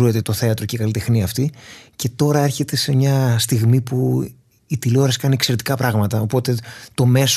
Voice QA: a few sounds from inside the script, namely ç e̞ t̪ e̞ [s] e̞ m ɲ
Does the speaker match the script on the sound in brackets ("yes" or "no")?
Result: yes